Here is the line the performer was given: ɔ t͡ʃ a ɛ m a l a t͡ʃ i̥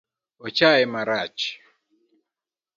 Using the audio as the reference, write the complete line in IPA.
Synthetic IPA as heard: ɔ t͡ʃ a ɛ m a ɾ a t͡ʃ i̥